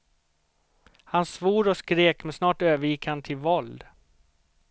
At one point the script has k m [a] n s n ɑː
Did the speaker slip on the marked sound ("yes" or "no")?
yes